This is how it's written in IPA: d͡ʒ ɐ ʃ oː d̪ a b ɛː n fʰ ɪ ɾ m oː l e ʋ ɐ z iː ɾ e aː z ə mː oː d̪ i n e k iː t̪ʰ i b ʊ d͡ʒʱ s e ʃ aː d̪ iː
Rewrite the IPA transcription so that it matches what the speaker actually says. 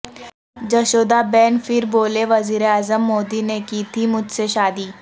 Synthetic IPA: d͡ʒ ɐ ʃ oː d̪ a b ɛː n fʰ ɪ ɾ b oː l e ʋ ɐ z iː ɾ e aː z ə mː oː d̪ i n e k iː t̪ʰ i m ʊ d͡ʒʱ s e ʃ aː d̪ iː